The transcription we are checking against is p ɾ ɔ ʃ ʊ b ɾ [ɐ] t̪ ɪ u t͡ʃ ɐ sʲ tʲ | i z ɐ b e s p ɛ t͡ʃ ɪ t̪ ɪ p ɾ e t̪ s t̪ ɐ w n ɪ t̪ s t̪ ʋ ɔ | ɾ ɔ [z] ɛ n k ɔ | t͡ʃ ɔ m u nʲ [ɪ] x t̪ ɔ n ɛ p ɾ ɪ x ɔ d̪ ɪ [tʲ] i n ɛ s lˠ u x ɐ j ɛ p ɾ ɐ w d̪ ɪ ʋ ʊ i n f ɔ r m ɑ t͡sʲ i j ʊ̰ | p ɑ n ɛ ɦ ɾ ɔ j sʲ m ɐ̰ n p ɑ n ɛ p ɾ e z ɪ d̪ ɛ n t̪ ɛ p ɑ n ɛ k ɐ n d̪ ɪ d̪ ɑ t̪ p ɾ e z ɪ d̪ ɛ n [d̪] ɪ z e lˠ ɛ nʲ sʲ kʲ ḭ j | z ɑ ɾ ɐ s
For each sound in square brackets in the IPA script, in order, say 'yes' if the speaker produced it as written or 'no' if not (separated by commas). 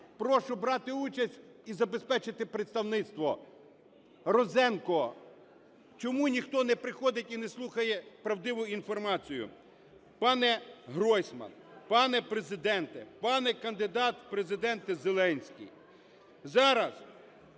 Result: no, yes, no, yes, no